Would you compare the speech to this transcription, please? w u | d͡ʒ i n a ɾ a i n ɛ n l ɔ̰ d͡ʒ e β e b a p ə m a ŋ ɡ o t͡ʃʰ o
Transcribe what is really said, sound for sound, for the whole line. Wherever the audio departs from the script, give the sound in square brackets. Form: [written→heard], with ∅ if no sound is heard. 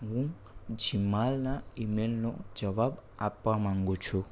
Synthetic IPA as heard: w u | d͡ʒ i [n→m] a [ɾ→l] a i [n→m] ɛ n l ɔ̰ d͡ʒ [e→a] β [e→a] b a p [ə→a] m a ŋ ɡ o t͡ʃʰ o